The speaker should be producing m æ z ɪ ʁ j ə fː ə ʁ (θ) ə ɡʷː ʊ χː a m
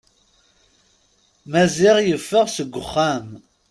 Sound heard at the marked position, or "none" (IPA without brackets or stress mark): s